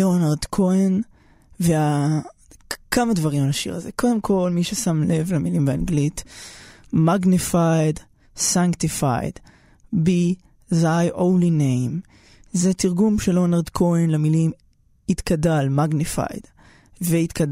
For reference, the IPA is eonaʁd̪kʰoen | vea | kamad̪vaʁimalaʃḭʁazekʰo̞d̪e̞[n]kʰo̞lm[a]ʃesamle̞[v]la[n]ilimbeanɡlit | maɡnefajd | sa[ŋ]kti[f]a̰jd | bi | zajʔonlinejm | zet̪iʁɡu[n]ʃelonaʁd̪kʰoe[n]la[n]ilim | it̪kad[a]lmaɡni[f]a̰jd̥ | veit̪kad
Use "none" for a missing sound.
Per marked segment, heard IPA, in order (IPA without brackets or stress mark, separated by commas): m, i, v, m, ŋ, f, m, n, m, a, f